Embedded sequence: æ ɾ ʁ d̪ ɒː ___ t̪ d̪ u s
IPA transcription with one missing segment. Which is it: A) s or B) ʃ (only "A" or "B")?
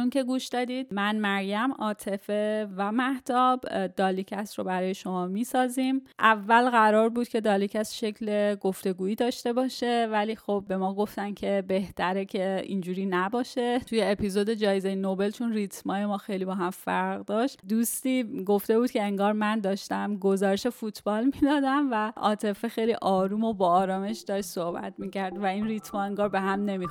B